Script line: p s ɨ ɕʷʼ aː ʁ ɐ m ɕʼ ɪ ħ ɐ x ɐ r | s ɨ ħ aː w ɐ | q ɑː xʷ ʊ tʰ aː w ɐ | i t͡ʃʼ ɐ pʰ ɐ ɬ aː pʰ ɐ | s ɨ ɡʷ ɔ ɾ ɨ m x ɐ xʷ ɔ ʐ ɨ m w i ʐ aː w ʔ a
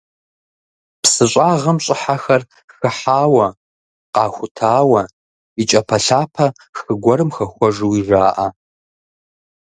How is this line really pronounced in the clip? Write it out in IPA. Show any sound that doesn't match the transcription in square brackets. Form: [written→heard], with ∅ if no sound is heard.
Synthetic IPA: p s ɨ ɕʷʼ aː ʁ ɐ m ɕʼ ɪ ħ [ɐ→a] x ɐ r | [s→x] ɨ ħ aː w ɐ | q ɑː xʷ ʊ tʰ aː w ɐ | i t͡ʃʼ ɐ pʰ ɐ ɬ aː pʰ ɐ | [s→x] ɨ ɡʷ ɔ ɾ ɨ m x ɐ xʷ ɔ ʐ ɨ [m→∅] w i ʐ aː [w→∅] ʔ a